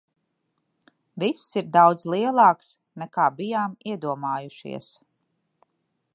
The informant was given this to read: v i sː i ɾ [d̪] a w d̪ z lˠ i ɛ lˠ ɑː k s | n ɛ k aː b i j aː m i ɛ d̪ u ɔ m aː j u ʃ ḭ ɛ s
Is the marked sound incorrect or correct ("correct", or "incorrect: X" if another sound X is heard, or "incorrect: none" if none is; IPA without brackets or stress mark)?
correct